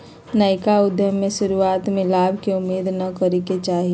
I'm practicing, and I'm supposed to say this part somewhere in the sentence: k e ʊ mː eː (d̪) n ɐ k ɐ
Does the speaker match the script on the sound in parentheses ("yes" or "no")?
yes